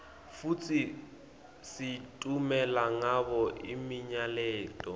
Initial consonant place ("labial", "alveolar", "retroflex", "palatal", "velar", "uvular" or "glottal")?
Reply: labial